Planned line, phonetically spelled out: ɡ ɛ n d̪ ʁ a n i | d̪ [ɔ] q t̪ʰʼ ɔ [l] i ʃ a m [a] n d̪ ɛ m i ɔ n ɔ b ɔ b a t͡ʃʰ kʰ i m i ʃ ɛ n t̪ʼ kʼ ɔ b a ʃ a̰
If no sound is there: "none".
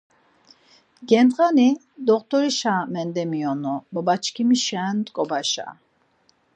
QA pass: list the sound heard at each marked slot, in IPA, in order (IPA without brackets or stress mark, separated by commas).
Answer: ɔ, ɾ, ɛ